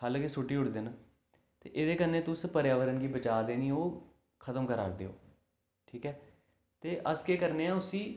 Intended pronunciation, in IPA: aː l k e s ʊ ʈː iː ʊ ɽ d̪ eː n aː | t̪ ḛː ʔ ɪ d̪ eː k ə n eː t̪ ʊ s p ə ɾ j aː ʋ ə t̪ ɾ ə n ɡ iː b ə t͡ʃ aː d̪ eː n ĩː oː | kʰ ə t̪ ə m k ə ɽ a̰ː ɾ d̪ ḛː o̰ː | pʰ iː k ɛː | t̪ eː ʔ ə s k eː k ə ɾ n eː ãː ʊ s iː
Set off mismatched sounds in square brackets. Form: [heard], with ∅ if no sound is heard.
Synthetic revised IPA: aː l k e s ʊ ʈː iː ʊ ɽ d̪ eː n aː | t̪ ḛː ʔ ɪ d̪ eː k ə n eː t̪ ʊ s p ə ɾ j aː ʋ ə [∅] ɾ ə n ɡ iː b ə t͡ʃ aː d̪ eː n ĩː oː | kʰ ə t̪ ə m k ə [ɾ] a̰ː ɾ d̪ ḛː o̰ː | [ʈʰ] iː k ɛː | t̪ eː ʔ ə s k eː k ə ɾ n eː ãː ʊ s iː